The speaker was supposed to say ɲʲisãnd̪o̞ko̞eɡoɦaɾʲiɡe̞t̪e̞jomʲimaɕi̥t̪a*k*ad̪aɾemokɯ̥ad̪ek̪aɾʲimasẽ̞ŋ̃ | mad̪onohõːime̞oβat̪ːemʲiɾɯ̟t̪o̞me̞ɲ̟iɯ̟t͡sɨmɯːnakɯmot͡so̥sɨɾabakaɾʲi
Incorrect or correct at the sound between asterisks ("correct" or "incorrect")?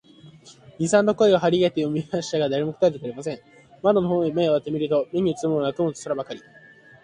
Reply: incorrect